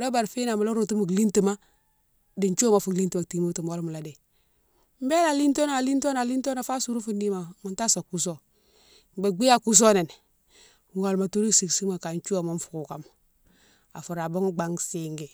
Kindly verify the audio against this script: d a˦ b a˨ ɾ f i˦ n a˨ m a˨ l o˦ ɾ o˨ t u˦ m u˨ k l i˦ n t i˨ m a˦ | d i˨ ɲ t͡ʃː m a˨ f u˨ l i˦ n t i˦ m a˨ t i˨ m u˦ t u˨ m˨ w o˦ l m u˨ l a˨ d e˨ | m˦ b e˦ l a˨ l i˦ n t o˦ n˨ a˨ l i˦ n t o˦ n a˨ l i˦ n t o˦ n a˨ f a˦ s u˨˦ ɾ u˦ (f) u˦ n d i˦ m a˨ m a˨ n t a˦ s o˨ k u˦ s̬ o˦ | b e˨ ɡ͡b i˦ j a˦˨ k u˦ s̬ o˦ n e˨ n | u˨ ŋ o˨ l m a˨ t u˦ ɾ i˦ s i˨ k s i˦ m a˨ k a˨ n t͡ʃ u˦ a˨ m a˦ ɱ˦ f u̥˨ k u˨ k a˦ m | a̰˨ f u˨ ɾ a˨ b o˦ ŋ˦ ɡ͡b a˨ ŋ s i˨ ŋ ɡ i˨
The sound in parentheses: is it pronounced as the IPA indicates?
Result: yes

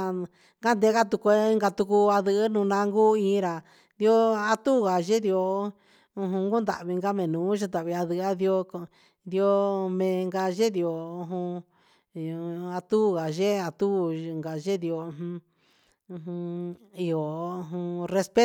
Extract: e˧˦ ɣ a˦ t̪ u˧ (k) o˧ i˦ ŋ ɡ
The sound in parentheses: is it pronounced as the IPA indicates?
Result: yes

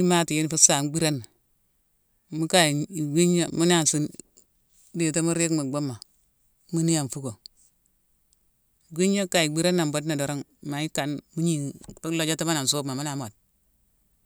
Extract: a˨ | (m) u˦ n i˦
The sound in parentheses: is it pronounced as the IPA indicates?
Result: yes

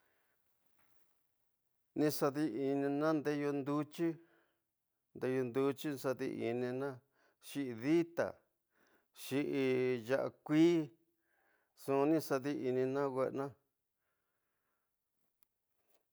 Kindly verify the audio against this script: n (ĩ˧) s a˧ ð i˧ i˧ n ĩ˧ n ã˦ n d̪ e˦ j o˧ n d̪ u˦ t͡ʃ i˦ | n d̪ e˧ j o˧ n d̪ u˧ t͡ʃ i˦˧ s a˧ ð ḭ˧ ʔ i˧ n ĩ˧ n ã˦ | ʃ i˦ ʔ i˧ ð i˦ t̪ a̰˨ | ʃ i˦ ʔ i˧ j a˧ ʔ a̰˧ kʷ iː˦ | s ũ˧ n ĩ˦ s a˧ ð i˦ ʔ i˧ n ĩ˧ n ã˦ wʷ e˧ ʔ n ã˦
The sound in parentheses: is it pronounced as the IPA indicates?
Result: yes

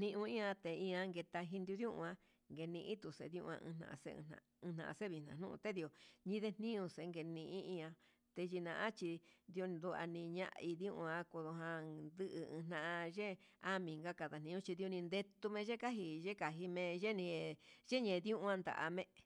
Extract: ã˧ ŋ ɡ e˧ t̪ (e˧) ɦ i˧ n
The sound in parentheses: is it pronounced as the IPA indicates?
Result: no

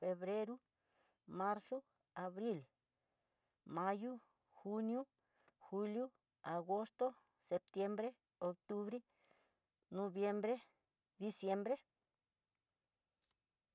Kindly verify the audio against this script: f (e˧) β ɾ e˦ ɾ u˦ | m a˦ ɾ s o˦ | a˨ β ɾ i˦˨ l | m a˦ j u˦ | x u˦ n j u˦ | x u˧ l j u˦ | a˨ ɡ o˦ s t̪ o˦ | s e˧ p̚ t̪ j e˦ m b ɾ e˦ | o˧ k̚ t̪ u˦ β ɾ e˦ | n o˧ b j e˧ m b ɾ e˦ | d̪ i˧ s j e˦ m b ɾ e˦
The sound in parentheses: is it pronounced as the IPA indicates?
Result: yes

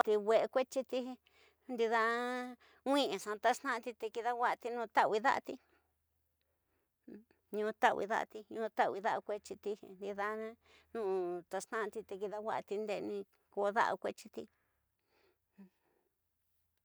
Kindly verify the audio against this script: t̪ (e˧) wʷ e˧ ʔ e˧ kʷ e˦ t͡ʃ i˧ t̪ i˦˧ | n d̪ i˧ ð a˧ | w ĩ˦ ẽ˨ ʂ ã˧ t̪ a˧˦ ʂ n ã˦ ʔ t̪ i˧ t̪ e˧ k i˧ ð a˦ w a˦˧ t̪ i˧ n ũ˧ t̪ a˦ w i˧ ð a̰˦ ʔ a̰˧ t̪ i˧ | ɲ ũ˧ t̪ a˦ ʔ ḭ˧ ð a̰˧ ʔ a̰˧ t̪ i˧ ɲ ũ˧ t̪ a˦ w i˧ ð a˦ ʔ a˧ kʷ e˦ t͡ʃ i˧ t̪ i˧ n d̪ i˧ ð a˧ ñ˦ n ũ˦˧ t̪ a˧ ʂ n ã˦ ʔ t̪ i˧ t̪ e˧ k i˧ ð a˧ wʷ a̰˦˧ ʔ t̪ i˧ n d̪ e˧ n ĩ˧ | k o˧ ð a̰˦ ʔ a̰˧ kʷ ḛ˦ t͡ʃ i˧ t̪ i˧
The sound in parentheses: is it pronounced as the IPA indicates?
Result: no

